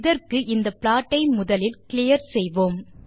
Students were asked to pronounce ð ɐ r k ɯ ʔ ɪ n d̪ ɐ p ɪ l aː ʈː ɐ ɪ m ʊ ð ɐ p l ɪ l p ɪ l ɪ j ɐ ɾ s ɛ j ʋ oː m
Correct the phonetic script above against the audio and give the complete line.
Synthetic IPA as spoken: ð ɐ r k ɯ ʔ ɪ n d̪ ɐ p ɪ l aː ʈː ɐ ɪ m ʊ ð ɐ l ɪ l k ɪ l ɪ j ɐ ɾ s ɛ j ʋ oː m